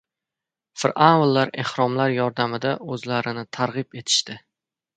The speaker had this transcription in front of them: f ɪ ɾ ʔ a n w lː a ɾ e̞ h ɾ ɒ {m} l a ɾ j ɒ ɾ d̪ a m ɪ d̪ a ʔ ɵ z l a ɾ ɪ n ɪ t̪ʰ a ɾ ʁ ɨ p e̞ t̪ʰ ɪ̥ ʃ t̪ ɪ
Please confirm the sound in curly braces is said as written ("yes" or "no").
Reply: yes